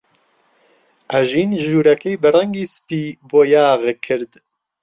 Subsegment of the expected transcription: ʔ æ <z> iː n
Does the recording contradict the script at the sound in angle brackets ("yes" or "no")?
yes